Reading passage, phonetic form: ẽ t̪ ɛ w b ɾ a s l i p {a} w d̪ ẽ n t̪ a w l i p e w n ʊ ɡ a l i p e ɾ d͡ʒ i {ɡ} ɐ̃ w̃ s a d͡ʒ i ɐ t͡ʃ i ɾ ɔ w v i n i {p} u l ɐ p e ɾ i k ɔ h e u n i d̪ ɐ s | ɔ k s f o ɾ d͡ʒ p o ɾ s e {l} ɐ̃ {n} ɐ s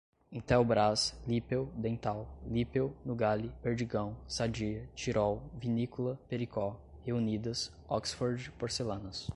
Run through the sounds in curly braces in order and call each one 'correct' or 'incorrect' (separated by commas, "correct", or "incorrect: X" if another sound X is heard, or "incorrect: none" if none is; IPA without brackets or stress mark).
incorrect: e, correct, incorrect: k, correct, correct